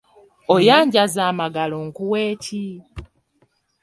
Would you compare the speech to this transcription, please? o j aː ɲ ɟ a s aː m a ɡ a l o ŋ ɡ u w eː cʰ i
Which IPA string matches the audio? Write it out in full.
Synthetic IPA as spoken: o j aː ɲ ɟ a z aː m a ɡ a l o ŋ k u w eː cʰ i

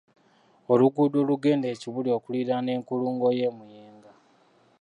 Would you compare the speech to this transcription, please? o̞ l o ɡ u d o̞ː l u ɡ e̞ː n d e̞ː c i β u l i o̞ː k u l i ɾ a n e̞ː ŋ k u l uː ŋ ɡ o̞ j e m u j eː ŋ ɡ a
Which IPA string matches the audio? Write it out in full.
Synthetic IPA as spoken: o̞ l u ɡ u d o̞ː l u ɡ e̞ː n d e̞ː c i β u l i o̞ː k u l i ɾ a n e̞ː ŋ k u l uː ŋ ɡ o̞ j e m u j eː ŋ ɡ a

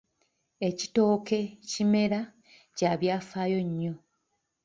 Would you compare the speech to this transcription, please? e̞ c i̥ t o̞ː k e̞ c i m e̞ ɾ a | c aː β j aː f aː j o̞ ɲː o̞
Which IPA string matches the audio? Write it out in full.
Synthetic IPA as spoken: e̞ c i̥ t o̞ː k e̞ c i m e̞ ɾ a | c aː β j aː f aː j o̞ ɲː o̞

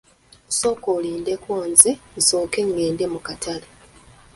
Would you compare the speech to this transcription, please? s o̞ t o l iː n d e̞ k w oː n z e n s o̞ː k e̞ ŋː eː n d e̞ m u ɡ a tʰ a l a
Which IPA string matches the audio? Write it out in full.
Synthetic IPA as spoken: s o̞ k o l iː n d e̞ k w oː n z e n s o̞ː k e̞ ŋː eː n d e̞ m u k a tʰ a l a

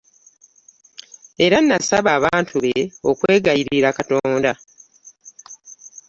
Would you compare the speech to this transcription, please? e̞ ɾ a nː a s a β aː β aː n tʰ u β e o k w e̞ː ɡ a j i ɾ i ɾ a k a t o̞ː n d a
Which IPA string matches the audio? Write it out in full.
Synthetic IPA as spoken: e̞ ɾ a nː a s a β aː β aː n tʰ u β e o k w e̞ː ɡ a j i ɾ i ɾ a k a t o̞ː n d a

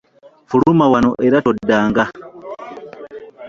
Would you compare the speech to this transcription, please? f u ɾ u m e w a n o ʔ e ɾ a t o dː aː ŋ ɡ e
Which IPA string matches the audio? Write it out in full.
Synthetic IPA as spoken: f u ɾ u m a w a n o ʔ e ɾ a t o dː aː ŋ ɡ a

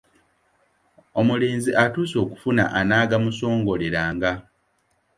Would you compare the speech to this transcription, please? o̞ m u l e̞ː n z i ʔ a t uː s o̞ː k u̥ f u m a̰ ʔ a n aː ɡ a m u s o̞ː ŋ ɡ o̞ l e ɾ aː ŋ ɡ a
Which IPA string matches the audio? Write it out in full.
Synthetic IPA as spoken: o̞ m u l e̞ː n z i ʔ a t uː s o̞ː k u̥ f u n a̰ ʔ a n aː ɡ a m u s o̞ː ŋ ɡ o̞ l e ɾ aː ŋ ɡ a

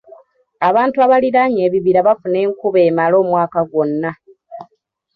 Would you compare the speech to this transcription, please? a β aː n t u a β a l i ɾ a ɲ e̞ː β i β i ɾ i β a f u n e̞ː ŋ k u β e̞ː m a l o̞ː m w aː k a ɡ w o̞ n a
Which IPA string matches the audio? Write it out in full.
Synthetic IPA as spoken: a β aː n t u a β a l i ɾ a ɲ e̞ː β i β i ɾ a β a f u n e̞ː ŋ k u β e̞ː m a l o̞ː m w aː k a ɡ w o̞ nː a

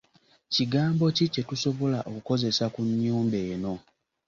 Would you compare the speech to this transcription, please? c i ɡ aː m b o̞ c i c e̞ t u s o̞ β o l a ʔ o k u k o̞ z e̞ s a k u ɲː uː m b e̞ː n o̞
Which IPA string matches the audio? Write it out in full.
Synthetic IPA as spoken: c i ɡ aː m b o̞ c i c e̞ t u s o̞ β o l a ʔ o k u k o̞ z e̞ s a k u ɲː uː m b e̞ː n o̞

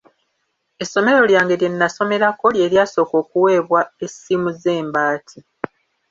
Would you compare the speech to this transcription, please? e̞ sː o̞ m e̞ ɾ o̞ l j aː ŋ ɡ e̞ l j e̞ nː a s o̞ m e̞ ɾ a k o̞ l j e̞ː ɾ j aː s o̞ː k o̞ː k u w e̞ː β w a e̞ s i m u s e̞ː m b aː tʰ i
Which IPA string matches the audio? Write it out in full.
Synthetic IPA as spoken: e̞ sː o̞ m e̞ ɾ o̞ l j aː ŋ ɡ e̞ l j e̞ nː a s o̞ m e̞ ɾ a k o̞ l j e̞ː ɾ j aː s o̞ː k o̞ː k u w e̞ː β w a e̞ s i m u z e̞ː m b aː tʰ i

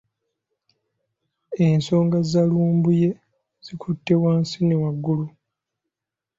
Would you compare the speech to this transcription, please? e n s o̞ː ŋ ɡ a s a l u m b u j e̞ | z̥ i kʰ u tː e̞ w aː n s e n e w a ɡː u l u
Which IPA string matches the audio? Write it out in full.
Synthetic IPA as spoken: e n s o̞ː ŋ ɡ a z a l uː m b u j e̞ | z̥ i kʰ u tː e̞ w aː n s i n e w a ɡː u l u

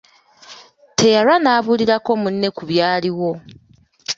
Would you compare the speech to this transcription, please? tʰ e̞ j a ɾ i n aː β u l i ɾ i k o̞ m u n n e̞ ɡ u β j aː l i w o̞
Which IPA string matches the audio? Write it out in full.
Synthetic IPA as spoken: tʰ e̞ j a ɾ a n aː β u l i ɾ a k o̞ m u n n e̞ k u β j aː l i w o̞

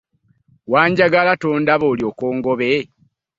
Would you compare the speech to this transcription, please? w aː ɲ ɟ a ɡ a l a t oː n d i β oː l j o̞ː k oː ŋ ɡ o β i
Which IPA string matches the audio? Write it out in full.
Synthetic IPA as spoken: w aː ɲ ɟ a ɡ a l a t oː n d a β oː l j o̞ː k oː ŋ ɡ o β e

